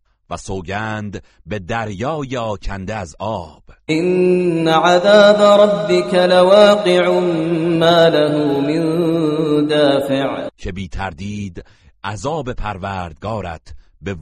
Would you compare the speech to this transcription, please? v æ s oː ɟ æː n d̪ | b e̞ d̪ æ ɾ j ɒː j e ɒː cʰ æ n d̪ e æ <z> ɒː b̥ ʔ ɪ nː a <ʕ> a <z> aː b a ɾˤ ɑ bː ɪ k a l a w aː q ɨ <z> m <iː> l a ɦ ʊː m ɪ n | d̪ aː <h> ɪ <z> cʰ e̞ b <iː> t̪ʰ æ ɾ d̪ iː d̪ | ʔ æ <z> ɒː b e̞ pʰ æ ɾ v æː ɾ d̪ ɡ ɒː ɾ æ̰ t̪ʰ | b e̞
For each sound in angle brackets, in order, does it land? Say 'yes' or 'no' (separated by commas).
yes, yes, no, no, no, no, no, yes, yes